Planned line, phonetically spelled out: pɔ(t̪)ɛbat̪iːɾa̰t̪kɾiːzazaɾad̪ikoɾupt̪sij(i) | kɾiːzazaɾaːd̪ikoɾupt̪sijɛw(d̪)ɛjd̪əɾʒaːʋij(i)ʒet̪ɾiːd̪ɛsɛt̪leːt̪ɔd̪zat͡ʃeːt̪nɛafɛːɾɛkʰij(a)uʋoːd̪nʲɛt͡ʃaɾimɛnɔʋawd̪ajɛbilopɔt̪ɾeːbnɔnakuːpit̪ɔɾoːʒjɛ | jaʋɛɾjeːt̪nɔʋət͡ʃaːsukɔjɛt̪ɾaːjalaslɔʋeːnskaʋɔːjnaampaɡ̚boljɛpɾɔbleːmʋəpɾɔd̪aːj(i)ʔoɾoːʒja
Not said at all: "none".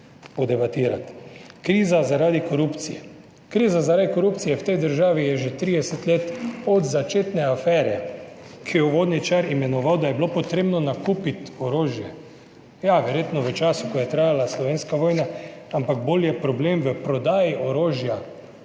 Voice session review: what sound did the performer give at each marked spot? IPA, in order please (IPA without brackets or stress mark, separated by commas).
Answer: d̪, ɛ, t̪, ɛ, ɛ, i